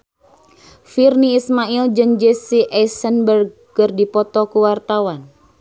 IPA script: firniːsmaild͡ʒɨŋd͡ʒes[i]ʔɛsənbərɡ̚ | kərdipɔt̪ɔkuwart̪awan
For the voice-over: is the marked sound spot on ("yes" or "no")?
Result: yes